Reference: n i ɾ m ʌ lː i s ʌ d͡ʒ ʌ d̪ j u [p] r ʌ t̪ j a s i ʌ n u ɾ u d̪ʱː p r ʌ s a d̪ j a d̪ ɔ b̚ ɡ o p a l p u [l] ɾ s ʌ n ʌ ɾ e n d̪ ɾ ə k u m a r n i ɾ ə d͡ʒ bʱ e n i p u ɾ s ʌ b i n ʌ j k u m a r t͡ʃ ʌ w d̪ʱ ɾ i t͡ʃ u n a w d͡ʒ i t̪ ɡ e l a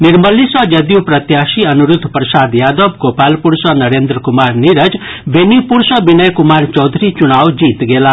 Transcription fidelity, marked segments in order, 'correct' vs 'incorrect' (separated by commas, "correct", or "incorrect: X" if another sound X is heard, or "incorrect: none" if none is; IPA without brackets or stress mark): correct, incorrect: none